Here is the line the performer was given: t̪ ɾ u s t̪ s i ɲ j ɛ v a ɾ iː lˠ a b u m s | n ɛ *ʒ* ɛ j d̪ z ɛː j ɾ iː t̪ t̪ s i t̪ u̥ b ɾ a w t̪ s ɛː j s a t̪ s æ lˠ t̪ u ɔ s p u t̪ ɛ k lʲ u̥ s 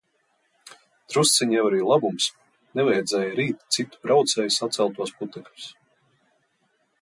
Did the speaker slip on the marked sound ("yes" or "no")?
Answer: yes